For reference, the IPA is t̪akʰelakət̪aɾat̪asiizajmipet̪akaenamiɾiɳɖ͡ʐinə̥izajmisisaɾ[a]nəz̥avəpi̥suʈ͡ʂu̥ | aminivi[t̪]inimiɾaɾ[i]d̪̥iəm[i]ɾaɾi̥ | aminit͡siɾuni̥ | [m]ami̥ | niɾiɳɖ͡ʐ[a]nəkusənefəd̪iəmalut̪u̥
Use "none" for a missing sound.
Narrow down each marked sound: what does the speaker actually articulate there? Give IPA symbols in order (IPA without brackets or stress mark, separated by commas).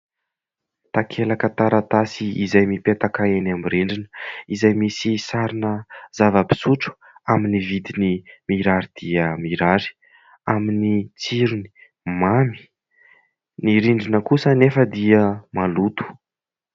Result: i, d̪, i, i, m, i